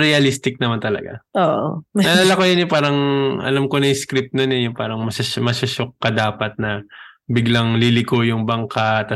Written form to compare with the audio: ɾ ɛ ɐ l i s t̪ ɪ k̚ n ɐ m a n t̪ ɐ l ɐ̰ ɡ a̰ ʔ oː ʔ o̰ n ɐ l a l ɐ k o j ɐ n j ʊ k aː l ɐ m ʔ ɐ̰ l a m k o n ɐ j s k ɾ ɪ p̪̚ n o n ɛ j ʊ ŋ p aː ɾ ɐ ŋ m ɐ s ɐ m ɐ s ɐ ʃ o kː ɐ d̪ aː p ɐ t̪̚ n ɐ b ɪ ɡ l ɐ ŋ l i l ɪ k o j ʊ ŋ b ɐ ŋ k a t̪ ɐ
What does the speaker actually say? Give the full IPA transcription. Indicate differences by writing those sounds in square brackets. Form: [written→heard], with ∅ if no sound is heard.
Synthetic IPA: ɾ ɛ ɐ l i s t̪ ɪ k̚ n ɐ m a n t̪ ɐ l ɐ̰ ɡ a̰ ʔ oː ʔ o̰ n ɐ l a l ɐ k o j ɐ n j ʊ [k→p] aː [l→ɾ] ɐ [m→ŋ] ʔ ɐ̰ l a m k o n ɐ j s k ɾ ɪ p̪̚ n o n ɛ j ʊ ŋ p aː ɾ ɐ ŋ m ɐ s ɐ m ɐ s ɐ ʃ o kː ɐ d̪ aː p ɐ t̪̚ n ɐ b ɪ ɡ l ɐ ŋ l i l ɪ k o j ʊ ŋ b ɐ ŋ k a t̪ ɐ